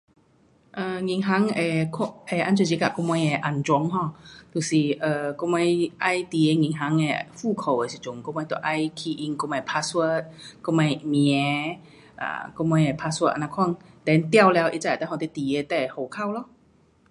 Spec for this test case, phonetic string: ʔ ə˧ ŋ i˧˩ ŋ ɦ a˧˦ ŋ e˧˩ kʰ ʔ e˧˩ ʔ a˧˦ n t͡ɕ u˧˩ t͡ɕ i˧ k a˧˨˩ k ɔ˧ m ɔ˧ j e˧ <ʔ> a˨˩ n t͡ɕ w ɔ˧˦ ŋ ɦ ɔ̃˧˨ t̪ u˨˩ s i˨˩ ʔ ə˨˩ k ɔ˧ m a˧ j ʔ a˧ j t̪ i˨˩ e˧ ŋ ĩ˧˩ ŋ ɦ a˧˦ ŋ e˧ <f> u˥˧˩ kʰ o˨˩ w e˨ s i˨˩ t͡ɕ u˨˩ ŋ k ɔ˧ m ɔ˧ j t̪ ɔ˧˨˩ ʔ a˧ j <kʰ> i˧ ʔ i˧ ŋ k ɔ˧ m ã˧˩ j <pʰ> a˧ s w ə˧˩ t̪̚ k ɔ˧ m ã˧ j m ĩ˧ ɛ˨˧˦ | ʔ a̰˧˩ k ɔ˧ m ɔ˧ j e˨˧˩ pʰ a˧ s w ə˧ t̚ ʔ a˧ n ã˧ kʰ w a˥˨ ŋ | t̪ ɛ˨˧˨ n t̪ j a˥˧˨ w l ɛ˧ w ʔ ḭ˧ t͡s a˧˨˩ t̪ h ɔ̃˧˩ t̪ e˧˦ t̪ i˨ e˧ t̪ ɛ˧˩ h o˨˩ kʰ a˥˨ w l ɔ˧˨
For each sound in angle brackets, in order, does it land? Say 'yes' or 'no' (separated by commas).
yes, yes, yes, yes